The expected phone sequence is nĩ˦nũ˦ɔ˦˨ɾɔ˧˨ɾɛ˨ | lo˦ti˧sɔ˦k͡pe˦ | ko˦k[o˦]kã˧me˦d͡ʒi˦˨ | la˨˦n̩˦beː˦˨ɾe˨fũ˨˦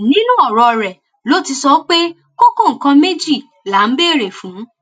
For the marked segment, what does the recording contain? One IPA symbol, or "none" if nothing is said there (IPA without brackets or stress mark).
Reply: o˦˨